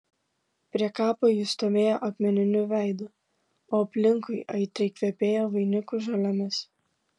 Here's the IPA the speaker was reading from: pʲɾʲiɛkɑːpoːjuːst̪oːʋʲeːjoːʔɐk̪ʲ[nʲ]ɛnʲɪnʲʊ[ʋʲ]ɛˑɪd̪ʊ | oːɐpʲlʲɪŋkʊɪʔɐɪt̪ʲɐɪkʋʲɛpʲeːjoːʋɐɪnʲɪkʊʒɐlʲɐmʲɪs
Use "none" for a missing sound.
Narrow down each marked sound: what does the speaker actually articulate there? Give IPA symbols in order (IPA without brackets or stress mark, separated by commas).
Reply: mʲ, ʋʲ